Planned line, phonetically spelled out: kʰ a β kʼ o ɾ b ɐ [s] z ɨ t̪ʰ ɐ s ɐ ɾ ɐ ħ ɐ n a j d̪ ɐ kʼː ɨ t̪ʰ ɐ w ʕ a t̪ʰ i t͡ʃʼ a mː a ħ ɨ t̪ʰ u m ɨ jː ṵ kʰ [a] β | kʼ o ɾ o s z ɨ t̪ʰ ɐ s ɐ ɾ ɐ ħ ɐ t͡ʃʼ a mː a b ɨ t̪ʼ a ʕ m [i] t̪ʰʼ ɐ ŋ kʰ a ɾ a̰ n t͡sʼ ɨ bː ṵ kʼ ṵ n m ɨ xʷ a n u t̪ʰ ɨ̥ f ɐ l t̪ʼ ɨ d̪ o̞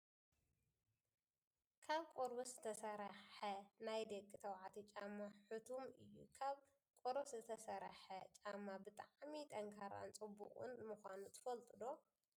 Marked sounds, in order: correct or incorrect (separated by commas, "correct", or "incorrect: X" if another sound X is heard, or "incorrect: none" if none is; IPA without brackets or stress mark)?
correct, correct, correct